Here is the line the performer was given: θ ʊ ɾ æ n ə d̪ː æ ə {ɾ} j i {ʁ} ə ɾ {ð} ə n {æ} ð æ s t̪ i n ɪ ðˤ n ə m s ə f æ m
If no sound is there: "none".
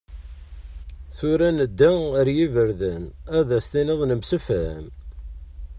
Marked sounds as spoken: ɾ, v, ð, æ

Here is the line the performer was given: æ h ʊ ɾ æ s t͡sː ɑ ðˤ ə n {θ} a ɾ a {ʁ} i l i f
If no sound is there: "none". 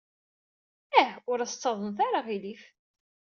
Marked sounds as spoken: θ, ʁ

